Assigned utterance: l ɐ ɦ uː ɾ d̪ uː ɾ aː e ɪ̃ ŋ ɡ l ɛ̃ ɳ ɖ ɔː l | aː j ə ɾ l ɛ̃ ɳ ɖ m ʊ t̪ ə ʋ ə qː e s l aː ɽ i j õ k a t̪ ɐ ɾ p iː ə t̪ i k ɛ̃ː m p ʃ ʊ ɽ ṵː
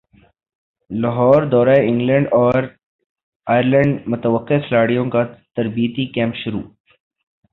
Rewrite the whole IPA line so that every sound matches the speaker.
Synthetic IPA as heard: l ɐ ɦ ɔː ɾ d̪ ɔː ɾ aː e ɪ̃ ŋ ɡ l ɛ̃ ɳ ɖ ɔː ɾ | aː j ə ɾ l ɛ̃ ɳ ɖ m ʊ t̪ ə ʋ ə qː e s l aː ɽ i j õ k a t̪ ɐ ɾ b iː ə t̪ i k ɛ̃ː m p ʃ ʊ ɾ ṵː